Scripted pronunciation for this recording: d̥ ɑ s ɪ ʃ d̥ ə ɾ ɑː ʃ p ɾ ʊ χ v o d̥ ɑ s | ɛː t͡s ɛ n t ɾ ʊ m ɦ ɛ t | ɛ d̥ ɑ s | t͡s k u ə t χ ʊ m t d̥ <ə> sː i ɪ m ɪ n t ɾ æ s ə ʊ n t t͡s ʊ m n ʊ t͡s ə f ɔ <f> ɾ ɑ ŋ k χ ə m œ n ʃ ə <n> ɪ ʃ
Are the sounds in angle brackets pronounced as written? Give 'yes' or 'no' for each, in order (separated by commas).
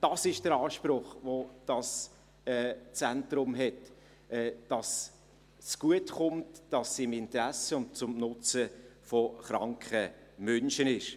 no, no, yes